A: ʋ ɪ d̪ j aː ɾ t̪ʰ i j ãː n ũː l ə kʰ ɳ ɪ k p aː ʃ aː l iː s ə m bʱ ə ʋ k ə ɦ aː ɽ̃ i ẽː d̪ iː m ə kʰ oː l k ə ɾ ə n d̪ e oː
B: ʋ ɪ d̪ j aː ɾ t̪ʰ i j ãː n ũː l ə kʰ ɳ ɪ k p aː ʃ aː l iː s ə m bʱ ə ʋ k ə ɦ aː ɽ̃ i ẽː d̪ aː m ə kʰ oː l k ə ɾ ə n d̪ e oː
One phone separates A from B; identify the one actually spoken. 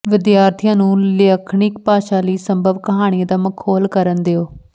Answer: B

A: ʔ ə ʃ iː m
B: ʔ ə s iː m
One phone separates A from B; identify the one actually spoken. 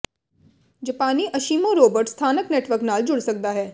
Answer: A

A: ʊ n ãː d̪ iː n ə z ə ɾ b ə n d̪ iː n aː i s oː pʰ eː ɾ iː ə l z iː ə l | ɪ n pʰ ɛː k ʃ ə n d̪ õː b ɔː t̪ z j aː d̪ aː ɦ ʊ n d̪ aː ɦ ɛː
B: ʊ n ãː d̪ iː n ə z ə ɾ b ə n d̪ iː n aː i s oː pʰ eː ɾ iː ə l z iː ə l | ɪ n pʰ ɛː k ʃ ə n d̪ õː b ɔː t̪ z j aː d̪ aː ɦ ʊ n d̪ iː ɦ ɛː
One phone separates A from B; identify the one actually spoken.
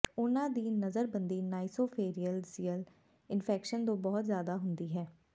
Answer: B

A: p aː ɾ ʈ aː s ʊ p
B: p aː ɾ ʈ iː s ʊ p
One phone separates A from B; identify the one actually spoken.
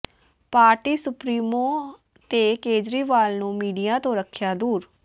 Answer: B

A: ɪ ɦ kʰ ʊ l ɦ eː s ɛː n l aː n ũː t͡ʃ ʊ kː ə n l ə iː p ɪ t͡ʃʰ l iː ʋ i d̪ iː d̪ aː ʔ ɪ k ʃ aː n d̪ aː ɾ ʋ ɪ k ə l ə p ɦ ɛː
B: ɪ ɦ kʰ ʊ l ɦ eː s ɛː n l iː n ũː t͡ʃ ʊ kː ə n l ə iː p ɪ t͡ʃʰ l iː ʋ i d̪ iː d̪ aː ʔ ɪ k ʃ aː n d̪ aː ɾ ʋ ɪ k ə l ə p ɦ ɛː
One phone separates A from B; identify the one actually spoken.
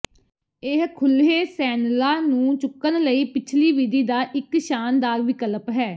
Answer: A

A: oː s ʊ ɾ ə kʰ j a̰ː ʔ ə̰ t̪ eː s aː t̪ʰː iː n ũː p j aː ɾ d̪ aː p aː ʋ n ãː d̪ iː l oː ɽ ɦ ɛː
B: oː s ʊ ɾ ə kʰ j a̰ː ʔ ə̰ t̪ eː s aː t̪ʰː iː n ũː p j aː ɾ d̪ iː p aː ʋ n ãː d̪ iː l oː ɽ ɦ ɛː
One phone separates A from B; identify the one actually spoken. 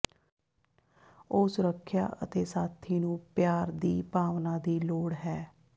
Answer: B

